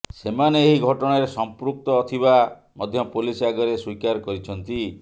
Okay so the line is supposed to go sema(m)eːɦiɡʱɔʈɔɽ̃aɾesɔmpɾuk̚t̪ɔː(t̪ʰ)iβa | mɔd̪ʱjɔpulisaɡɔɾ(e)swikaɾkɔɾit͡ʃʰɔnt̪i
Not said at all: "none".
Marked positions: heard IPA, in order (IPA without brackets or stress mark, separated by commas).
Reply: n, t̪ʰ, e